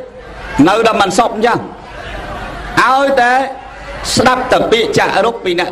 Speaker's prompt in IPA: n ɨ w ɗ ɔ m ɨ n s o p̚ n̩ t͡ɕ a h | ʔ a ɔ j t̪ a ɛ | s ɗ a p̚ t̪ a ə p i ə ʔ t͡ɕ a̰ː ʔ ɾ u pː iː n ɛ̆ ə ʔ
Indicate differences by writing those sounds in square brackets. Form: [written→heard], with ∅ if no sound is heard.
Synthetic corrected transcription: n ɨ w ɗ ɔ m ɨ n s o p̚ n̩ t͡ɕ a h | ʔ a ɔ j t̪ a ɛ | s ɗ a p̚ t̪ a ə p i ə ʔ t͡ɕ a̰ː ʔ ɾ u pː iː n ɛ̆ ə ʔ